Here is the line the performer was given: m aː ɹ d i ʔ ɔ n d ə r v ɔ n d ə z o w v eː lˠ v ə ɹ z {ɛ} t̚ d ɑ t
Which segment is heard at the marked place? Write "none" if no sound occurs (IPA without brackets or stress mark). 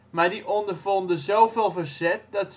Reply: ɛ